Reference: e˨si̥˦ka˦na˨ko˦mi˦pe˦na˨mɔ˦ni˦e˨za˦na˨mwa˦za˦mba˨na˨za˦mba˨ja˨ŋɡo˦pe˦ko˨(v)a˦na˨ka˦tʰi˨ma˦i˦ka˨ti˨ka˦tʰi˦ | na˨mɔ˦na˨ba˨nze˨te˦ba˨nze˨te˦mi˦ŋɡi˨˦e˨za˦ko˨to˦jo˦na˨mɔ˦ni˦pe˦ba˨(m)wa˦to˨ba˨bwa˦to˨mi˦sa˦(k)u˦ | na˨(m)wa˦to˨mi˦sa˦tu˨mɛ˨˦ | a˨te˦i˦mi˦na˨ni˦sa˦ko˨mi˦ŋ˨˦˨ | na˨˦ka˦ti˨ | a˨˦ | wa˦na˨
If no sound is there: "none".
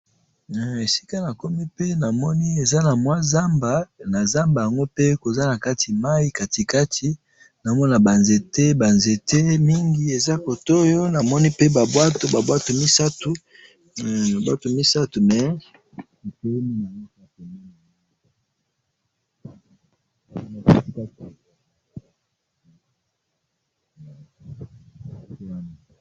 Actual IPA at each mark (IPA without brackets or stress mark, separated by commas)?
z, b, t, b